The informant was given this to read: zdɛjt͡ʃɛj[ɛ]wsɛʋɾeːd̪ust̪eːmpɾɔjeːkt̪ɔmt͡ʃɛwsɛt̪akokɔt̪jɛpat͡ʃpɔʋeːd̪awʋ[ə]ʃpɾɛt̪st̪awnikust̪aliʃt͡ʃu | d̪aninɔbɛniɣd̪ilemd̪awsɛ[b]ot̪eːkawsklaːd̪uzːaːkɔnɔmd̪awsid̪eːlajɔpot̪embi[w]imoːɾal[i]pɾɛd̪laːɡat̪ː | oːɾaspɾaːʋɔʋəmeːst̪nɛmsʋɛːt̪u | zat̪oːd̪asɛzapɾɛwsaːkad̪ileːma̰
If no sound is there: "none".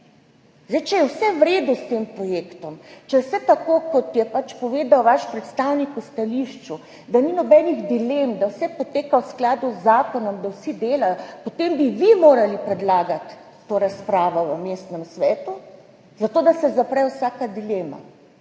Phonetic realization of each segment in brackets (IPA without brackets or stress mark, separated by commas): ɛ, a, p, ʋ, i